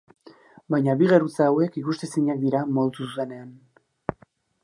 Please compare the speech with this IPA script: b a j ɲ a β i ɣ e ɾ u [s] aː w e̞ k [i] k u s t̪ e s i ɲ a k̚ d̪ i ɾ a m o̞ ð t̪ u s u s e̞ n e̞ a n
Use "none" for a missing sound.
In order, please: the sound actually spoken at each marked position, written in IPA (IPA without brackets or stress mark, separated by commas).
t͡s, i